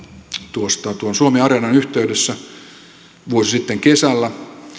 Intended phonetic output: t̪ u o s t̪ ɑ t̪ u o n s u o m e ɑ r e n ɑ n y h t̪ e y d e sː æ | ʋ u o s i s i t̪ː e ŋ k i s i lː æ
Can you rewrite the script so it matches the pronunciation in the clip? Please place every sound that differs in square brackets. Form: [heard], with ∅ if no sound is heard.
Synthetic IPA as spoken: t̪ u o s t̪ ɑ t̪ u o n s u o m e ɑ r e n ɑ n y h t̪ e y d e sː æ | ʋ u o s i s i t̪ː e ŋ k [e] s [æ] lː æ